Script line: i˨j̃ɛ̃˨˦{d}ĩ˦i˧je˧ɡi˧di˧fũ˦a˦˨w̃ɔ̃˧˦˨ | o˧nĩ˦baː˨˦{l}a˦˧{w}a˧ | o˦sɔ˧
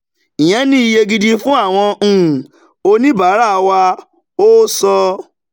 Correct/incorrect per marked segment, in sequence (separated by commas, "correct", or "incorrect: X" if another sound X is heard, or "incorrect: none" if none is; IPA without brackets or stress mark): incorrect: n, incorrect: ɾ, correct